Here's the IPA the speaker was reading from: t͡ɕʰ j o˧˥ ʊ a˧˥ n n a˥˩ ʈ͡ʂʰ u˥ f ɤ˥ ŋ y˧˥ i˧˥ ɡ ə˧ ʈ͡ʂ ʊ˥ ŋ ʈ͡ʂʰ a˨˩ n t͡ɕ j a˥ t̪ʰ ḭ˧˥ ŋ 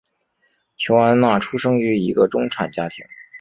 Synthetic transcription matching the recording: t͡ɕʰ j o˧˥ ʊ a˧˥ n n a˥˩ ʈ͡ʂʰ u˥ ʂ ɤ˥ ŋ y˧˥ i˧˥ ɡ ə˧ ʈ͡ʂ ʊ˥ ŋ ʈ͡ʂʰ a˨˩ n t͡ɕ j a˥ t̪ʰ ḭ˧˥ ŋ